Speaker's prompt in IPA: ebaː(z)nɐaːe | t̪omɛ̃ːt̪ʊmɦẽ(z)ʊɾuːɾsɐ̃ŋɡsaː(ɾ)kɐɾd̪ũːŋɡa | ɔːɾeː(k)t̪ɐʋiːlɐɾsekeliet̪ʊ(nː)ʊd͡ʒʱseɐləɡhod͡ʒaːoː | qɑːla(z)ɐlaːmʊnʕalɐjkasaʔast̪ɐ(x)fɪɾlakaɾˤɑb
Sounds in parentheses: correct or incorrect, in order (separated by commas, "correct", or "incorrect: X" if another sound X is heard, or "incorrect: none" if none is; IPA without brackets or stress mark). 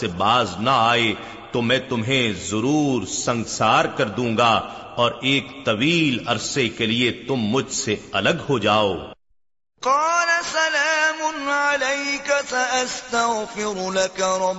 correct, correct, correct, correct, incorrect: mː, incorrect: s, incorrect: ɣ